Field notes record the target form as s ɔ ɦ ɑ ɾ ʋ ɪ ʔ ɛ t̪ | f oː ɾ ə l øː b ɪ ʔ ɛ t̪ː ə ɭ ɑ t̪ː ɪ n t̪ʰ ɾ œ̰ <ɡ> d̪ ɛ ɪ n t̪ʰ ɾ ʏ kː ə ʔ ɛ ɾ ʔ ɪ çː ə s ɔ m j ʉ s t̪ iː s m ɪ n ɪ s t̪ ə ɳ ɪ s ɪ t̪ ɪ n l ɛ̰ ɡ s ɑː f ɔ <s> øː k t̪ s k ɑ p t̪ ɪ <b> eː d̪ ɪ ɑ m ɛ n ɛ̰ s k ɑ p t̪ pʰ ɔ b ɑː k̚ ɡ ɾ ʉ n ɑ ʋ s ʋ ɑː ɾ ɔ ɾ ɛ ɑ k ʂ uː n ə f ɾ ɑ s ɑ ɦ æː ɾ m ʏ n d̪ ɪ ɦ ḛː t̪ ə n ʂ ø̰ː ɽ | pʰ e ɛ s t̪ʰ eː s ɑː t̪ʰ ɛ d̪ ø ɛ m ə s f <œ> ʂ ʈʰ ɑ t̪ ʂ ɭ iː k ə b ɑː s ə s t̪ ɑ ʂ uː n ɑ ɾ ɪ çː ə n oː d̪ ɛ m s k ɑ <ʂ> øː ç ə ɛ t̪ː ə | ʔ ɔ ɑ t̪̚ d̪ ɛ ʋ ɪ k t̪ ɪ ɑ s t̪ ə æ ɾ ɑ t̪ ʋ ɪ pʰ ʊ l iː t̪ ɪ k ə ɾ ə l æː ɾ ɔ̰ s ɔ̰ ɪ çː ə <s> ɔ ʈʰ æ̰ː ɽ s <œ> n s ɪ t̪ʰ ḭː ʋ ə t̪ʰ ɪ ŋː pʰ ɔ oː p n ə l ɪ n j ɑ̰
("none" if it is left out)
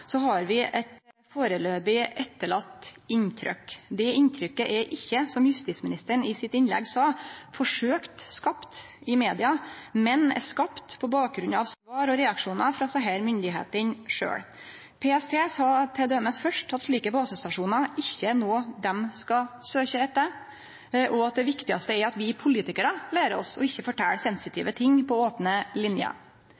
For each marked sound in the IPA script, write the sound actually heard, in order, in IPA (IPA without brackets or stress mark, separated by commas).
k, ʂ, m, œ, s, f, ɛ